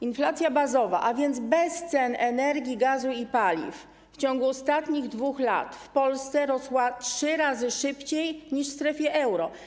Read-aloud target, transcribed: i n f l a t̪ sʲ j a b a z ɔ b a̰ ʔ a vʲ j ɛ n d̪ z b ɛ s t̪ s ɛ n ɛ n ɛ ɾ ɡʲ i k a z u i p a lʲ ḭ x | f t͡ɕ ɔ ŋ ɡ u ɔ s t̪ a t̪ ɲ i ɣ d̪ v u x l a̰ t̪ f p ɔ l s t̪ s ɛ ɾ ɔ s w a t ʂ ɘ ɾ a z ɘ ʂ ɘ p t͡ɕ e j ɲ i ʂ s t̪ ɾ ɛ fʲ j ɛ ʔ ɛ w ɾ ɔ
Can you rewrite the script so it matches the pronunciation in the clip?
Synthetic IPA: i n f l a t̪ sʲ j a b a z ɔ v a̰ ʔ a vʲ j ɛ n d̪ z b ɛ s t̪ s ɛ n ɛ n ɛ ɾ ɡʲ i ɡ a z u i p a lʲ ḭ f | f t͡ɕ ɔ ŋ ɡ u ɔ s t̪ a t̪ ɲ i ɣ d̪ v u x l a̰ t̪ f p ɔ l s t̪ s ɛ ɾ ɔ s w a t ʂ ɘ ɾ a z ɘ ʂ ɘ p t͡ɕ e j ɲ i ʂ s t̪ ɾ ɛ fʲ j ɛ ʔ ɛ w ɾ ɔ